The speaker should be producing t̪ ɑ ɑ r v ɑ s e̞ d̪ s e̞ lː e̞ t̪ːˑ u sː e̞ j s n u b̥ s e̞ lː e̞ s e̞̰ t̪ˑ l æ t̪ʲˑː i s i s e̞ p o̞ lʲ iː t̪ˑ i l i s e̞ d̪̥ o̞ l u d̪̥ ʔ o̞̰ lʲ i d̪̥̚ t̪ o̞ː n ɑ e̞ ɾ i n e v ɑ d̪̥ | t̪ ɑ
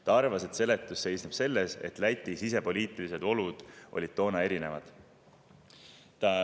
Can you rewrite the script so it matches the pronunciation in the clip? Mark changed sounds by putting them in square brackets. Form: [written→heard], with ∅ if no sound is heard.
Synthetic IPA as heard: t̪ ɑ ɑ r v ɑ s e̞ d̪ s e̞ [lː→l] e̞ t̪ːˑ u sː e̞ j s n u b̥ s e̞ lː e̞ s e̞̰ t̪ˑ l æ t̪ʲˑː i s i s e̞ p o̞ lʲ iː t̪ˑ i l i s e̞ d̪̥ o̞ l u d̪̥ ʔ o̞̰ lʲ i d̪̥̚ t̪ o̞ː n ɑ e̞ ɾ i n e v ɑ d̪̥ | t̪ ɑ